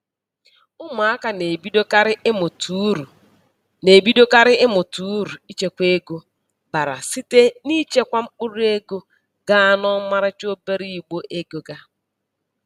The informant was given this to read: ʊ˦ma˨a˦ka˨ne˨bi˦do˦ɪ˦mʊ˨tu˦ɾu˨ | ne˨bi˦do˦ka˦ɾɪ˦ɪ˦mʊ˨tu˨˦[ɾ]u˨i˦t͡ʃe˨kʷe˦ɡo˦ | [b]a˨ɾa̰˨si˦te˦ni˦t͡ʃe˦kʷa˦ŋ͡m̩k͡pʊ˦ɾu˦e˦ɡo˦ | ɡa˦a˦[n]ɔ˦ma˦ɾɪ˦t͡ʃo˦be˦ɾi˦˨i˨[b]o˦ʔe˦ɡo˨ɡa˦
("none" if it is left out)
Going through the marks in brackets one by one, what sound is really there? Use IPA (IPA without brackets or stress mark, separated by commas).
ɾ, b, n, ɡ͡b